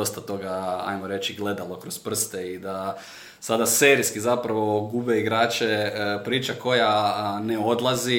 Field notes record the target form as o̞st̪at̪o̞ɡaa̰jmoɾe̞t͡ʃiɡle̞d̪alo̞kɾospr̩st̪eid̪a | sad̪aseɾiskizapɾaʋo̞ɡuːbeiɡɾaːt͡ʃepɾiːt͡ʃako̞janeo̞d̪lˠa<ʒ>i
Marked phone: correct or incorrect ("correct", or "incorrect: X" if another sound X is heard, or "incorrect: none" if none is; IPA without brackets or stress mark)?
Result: incorrect: z